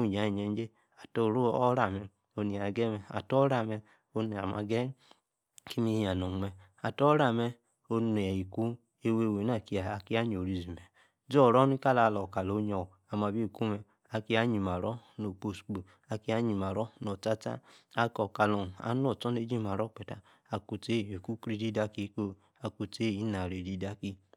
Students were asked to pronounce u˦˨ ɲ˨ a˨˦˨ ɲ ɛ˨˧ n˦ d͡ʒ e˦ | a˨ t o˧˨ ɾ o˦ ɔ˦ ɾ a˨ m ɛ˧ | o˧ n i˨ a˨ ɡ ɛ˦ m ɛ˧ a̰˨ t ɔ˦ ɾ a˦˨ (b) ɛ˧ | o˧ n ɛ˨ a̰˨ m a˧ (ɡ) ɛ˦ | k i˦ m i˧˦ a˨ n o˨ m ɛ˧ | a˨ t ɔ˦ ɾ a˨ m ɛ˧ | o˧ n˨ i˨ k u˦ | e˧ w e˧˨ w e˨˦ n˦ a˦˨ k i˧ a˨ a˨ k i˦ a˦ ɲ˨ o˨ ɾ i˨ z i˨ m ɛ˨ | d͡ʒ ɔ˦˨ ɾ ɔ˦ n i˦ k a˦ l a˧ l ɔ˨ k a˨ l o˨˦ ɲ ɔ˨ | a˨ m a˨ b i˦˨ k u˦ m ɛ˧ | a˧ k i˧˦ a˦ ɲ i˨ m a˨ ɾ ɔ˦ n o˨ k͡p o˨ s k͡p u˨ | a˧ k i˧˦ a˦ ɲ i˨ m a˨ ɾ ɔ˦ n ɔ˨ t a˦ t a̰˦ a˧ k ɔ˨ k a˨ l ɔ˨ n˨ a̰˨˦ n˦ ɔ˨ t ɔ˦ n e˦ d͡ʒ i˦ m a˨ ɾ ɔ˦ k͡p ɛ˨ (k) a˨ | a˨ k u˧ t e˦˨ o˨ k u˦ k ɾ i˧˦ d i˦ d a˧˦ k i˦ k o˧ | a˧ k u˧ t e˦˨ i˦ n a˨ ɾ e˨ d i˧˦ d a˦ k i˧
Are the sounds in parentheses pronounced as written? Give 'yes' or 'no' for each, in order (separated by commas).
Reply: no, yes, no